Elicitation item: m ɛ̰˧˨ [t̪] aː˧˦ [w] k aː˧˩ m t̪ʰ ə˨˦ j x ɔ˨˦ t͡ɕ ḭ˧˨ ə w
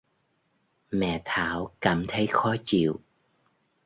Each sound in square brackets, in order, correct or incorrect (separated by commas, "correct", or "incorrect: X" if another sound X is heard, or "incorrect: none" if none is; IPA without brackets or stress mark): incorrect: t̪ʰ, correct